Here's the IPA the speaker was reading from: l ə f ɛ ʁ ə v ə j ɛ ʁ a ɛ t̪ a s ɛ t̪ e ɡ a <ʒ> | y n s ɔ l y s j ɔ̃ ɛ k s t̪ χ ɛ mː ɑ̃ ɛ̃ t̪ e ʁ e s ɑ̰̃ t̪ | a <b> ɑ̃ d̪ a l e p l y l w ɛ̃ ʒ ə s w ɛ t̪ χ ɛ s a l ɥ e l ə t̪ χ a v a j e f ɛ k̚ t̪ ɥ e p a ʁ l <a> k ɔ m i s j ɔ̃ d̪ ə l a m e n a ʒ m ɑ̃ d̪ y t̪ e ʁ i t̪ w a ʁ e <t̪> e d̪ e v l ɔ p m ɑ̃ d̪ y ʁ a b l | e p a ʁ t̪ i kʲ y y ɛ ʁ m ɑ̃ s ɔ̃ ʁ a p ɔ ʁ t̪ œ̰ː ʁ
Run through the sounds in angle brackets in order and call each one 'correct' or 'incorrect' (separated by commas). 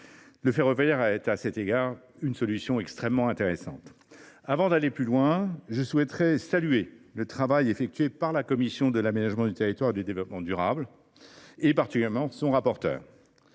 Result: incorrect, incorrect, correct, incorrect